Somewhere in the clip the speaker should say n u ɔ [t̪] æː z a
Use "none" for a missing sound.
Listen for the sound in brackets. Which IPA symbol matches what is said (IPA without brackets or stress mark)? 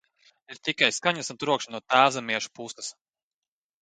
t̪